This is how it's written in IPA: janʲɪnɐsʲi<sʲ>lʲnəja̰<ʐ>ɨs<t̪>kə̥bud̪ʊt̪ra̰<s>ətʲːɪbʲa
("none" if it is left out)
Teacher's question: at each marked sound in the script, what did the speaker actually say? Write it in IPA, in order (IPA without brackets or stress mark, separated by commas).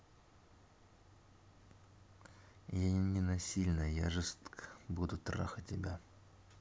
none, ʐ, t̪, x